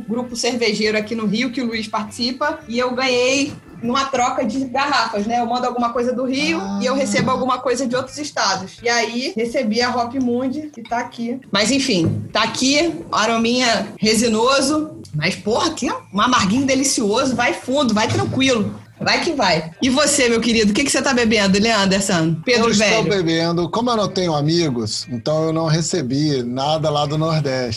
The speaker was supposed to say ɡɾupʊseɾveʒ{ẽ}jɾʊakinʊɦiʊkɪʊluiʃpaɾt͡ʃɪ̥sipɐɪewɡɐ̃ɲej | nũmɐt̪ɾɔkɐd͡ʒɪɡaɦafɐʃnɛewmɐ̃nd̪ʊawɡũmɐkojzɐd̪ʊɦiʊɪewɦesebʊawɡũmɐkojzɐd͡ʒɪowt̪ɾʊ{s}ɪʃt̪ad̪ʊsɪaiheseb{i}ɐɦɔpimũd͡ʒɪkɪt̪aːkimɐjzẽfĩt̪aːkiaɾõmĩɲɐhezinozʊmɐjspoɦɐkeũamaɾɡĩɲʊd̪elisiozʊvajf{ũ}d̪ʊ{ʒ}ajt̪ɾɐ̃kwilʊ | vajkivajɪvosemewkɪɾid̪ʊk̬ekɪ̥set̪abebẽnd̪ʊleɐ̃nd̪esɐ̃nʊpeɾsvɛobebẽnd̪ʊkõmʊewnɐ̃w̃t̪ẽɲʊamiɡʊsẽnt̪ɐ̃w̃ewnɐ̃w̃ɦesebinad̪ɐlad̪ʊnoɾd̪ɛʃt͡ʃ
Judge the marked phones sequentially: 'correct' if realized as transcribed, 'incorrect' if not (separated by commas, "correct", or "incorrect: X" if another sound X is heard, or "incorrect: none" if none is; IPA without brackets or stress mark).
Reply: incorrect: e, incorrect: z, correct, correct, incorrect: v